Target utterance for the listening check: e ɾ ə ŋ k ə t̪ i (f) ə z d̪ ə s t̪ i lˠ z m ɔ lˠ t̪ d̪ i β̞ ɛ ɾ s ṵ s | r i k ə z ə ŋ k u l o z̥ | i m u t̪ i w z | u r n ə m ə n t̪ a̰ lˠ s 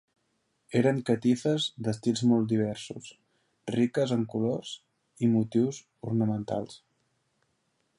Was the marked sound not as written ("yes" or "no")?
no